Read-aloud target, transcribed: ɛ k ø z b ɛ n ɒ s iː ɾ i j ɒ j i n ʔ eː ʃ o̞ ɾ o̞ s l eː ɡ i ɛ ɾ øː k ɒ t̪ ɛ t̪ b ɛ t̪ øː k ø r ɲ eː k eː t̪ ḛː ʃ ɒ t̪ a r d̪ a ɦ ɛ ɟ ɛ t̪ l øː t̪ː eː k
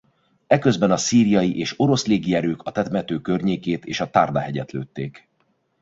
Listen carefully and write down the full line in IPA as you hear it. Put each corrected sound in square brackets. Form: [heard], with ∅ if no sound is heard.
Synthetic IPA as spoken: ɛ k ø z b ɛ n ɒ s iː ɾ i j ɒ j i [∅] ʔ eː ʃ o̞ ɾ o̞ s l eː ɡ i ɛ ɾ øː k ɒ t̪ ɛ t̪ [m] ɛ t̪ øː k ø r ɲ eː k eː t̪ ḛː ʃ ɒ t̪ a r d̪ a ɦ ɛ ɟ ɛ t̪ l øː t̪ː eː k